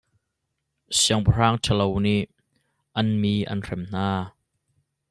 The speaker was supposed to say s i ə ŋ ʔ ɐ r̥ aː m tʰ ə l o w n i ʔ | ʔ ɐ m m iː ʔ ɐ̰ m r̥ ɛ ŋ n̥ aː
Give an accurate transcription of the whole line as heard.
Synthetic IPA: s i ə ŋ p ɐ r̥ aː ŋ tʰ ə l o w n i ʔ | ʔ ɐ n m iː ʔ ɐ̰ n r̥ ɛ m n̥ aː